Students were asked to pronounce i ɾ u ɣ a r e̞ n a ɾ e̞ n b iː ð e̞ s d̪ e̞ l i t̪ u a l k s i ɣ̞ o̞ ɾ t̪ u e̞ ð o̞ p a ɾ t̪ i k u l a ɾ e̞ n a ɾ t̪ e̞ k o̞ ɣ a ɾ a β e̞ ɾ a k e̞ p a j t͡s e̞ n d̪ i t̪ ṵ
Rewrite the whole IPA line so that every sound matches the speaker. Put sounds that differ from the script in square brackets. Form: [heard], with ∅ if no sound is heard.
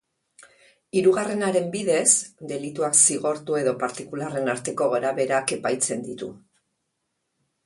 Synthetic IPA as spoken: i ɾ u ɣ a r e̞ n a ɾ e̞ [m] b [i] ð e̞ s d̪ e̞ l i t̪ u a [∅] k s i ɣ̞ o̞ ɾ t̪ u e̞ ð o̞ p a ɾ t̪ i k u l a [r] e̞ n a ɾ t̪ e̞ k o̞ ɣ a ɾ a β e̞ ɾ a k e̞ p a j t͡s e̞ n d̪ i t̪ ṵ